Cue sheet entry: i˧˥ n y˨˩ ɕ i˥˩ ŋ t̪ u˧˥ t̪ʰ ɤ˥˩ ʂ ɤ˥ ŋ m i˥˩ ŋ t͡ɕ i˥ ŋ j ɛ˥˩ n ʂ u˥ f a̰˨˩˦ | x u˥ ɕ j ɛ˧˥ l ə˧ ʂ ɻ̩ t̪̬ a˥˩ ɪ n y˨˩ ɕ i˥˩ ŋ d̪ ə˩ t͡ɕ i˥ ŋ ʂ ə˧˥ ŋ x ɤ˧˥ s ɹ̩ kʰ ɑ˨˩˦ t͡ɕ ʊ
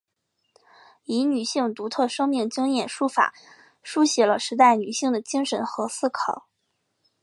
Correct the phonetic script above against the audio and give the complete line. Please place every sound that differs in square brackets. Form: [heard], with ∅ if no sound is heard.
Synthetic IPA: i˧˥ n y˨˩ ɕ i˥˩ ŋ t̪ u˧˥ t̪ʰ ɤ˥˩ ʂ ɤ˥ ŋ m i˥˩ ŋ t͡ɕ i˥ ŋ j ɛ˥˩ n ʂ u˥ f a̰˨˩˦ | [ʂ] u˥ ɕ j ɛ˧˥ l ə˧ ʂ ɻ̩ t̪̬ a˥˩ ɪ n y˨˩ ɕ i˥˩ ŋ d̪ ə˩ t͡ɕ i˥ ŋ ʂ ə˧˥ [n] x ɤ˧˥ s ɹ̩ kʰ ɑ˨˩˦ [∅] ʊ